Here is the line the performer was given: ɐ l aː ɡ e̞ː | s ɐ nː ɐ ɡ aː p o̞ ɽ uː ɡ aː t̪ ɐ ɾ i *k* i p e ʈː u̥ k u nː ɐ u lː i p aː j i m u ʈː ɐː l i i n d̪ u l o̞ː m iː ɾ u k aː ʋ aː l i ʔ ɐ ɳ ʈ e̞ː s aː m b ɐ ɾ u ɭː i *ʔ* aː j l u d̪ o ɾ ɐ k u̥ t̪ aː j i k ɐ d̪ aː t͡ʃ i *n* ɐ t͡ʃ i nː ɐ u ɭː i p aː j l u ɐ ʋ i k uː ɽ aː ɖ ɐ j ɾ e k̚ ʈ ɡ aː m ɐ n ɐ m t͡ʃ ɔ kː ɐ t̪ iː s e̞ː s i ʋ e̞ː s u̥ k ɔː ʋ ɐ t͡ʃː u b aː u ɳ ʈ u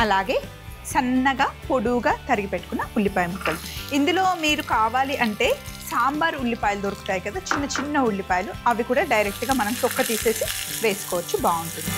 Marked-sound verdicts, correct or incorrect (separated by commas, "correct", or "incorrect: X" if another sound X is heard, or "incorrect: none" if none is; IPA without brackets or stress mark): incorrect: ɡ, incorrect: p, incorrect: nː